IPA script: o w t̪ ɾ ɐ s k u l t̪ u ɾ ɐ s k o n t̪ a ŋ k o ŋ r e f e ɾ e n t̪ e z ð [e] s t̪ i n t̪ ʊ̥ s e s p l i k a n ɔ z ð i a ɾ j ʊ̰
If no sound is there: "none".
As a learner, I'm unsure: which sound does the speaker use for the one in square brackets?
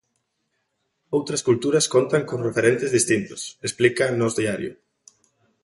i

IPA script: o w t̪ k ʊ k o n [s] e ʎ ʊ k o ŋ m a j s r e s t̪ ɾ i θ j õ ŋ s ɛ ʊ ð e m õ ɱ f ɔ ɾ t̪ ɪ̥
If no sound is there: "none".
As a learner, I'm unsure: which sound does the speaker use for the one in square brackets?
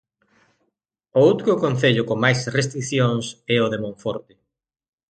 θ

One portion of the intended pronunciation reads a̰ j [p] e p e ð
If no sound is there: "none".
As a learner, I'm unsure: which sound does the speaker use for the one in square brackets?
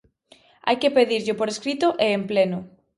k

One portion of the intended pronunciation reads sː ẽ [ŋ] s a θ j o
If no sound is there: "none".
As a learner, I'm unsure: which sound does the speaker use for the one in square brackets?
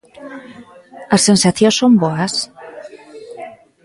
n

